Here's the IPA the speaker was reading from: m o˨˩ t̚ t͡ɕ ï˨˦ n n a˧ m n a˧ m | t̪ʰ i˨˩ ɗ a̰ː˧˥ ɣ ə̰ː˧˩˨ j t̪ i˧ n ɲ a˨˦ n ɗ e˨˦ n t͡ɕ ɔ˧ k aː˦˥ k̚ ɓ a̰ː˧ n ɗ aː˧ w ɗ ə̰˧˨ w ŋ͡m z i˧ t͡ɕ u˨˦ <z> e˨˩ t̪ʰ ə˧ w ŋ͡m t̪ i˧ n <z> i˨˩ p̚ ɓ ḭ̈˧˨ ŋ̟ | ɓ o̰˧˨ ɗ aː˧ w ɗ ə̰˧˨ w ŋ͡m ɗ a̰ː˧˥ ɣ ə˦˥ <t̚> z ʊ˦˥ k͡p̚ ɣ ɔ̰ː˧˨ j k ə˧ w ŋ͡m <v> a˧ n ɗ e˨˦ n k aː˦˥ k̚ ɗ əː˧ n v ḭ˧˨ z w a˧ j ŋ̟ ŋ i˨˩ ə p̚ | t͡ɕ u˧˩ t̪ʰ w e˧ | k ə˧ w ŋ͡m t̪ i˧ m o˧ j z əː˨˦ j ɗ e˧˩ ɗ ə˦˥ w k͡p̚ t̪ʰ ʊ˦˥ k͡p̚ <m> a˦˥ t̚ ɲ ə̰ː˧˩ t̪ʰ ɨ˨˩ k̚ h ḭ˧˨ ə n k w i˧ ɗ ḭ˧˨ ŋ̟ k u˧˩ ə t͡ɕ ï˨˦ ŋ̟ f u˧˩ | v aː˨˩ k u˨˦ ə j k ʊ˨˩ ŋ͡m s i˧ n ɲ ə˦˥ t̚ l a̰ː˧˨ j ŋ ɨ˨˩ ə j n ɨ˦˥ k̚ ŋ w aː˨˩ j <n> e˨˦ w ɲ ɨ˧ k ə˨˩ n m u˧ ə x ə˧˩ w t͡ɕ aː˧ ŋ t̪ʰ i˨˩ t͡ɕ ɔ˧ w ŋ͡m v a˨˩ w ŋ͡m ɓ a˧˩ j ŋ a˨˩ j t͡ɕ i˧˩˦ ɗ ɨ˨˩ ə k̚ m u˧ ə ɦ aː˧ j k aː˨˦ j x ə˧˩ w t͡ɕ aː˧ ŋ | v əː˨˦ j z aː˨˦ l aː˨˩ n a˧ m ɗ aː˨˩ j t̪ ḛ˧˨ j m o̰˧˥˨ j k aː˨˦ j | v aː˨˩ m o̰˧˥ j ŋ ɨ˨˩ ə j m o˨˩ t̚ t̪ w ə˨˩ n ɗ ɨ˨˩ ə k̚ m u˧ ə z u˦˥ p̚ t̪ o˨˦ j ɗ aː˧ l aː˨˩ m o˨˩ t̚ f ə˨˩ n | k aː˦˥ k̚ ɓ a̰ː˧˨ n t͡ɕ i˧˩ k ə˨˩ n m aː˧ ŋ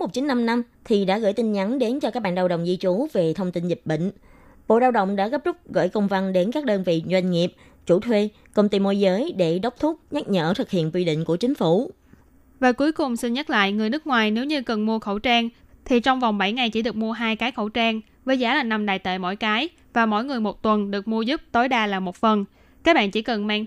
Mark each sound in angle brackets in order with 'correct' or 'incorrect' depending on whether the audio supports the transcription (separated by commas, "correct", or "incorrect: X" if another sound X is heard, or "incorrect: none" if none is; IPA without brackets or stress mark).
incorrect: v, correct, incorrect: p̚, correct, incorrect: ɲ, correct